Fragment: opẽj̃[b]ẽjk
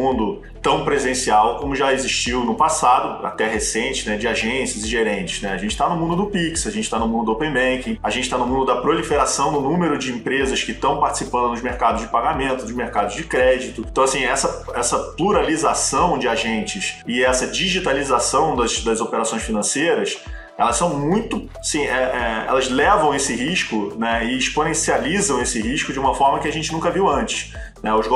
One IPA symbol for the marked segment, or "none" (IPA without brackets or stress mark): b